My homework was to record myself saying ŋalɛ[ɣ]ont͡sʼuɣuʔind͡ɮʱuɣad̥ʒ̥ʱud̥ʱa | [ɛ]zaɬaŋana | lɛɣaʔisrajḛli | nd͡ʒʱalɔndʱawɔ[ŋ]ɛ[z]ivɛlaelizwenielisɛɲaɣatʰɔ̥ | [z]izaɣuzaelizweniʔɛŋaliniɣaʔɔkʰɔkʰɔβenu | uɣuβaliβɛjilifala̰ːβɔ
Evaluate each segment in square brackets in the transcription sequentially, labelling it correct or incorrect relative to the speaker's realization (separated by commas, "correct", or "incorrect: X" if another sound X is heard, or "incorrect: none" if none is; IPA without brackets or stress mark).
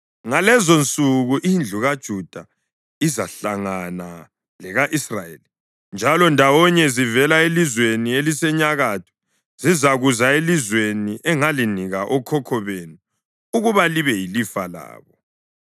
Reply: incorrect: z, incorrect: i, incorrect: ɲ, correct, correct